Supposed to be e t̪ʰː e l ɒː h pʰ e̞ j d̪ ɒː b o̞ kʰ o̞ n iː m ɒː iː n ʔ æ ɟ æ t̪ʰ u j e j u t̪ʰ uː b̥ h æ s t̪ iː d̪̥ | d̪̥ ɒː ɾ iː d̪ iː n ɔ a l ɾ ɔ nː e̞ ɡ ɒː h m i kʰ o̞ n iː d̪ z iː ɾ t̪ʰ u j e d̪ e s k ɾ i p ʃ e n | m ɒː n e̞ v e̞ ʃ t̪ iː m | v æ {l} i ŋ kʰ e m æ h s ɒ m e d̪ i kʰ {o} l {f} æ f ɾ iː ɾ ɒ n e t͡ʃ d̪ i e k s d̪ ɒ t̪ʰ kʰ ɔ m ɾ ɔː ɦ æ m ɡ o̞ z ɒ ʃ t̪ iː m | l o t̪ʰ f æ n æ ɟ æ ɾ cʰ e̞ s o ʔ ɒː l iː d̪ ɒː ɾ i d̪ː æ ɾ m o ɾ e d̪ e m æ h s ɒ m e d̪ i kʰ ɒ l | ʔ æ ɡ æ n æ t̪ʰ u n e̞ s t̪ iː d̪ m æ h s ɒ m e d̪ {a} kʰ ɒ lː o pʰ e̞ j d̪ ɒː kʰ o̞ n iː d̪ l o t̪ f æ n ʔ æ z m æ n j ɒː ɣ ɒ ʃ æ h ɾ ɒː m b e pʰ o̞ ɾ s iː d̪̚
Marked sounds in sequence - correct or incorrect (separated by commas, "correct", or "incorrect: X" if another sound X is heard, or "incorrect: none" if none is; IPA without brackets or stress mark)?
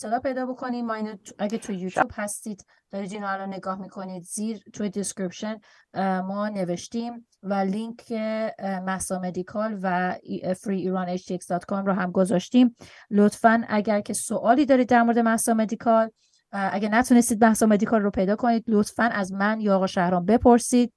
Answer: correct, incorrect: ɒ, incorrect: v, incorrect: i